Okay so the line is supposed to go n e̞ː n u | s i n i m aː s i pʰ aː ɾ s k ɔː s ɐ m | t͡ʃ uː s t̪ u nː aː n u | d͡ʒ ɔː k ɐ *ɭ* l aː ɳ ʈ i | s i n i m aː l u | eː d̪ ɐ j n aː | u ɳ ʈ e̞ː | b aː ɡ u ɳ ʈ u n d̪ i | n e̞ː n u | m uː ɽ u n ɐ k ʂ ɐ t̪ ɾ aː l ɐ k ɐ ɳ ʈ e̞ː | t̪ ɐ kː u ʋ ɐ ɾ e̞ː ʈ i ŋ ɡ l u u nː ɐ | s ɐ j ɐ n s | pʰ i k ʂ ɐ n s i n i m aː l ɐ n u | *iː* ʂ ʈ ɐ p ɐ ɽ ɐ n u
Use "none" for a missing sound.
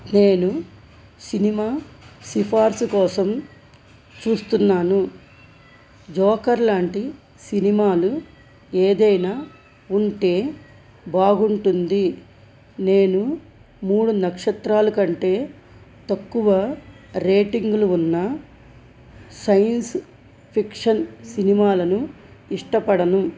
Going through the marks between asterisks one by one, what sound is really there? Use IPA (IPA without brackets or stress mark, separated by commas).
ɾ, i